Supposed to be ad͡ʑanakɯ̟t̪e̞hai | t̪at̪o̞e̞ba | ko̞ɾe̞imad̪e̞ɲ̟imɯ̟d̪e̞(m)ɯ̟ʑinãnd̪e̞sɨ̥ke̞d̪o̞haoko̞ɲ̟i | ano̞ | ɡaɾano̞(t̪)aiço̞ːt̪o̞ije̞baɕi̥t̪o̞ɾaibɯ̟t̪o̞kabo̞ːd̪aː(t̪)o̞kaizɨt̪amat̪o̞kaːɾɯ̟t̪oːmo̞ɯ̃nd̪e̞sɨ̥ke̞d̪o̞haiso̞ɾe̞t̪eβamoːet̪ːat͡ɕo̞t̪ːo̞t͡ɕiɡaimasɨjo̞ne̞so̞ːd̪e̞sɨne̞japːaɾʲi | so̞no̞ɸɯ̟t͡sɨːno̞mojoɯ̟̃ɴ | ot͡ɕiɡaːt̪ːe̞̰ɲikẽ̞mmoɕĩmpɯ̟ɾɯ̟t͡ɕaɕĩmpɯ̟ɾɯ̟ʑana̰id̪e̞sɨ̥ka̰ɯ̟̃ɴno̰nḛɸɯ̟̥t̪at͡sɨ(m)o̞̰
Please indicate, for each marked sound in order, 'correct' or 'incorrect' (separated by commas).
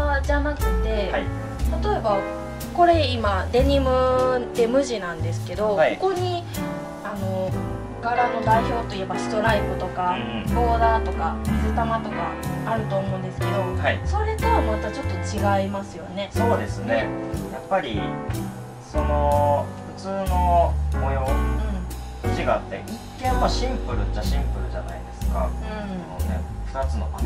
correct, incorrect, correct, incorrect